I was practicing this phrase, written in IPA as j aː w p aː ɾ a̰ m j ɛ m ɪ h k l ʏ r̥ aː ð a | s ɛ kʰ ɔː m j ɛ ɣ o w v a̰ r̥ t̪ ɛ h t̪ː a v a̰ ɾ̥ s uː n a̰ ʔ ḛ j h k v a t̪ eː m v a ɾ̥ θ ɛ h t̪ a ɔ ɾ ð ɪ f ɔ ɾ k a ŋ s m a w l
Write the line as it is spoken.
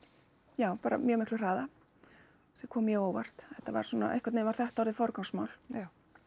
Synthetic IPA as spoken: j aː w p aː ɾ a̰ m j œ m ɪ h k l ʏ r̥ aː ð a | s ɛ kʰ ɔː m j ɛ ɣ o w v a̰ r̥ t̪ ɛ h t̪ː a v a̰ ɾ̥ s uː n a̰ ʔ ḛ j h k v a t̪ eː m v a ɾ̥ θ ɛ h t̪ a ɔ ɾ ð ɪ f ɔ ɾ k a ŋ s m a w l